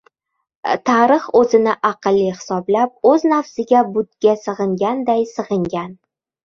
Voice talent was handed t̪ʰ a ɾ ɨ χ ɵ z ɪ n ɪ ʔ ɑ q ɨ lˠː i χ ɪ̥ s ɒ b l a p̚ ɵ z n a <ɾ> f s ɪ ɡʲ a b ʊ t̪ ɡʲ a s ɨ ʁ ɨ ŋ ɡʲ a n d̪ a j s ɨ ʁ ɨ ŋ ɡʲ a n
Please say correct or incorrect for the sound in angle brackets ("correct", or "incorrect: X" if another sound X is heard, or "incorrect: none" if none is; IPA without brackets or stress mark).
incorrect: none